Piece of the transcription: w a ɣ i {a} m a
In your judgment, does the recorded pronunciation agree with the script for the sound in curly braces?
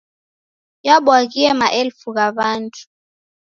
no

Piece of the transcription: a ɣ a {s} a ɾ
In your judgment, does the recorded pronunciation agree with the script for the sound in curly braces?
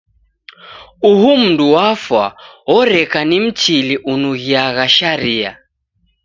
no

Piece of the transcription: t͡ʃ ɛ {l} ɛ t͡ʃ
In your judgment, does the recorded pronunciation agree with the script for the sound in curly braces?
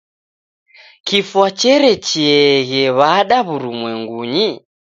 no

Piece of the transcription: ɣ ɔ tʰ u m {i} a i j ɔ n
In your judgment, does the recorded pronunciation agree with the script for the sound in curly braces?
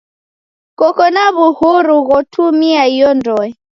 yes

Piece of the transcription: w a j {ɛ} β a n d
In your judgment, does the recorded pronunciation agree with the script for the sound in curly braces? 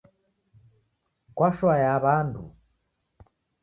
no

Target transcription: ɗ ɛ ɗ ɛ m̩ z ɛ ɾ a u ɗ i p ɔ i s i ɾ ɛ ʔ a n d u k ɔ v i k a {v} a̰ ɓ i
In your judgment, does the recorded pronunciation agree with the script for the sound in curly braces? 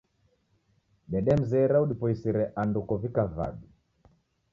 yes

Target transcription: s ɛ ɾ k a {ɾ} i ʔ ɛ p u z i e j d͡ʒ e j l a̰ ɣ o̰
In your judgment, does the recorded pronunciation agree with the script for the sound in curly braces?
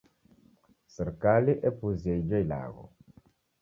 no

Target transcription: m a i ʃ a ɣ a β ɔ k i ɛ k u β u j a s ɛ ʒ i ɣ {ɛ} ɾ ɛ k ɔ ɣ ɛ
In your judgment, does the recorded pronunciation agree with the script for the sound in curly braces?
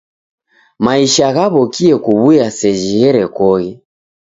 yes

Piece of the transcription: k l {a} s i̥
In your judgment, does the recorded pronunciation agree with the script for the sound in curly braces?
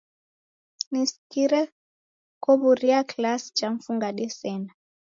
yes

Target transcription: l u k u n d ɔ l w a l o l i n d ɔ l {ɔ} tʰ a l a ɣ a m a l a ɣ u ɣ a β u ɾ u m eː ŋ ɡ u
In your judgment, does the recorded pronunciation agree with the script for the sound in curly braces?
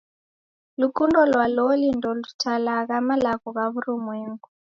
no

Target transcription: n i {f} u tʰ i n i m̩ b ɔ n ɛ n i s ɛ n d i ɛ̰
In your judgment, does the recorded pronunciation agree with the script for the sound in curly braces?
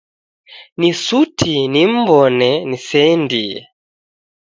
no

